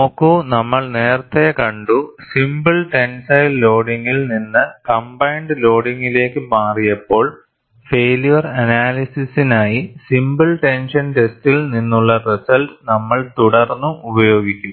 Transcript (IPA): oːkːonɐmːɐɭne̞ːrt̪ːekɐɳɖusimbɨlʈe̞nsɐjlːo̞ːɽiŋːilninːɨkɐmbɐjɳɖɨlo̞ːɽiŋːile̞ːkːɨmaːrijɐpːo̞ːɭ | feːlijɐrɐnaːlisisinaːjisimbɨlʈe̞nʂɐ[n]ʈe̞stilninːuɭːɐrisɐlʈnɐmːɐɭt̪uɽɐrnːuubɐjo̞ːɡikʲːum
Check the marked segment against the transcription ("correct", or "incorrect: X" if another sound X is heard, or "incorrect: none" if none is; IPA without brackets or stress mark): correct